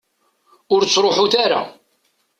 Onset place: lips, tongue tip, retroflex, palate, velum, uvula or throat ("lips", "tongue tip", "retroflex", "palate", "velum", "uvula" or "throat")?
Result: tongue tip